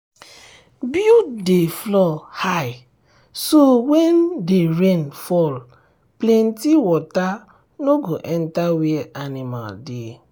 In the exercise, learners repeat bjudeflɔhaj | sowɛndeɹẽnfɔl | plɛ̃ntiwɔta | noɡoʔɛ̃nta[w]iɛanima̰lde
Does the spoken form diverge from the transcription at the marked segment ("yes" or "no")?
no